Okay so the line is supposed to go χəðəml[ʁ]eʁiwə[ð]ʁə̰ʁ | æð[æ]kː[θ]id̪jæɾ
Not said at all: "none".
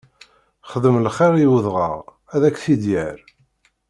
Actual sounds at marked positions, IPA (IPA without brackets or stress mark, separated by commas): χ, ð, æ, θ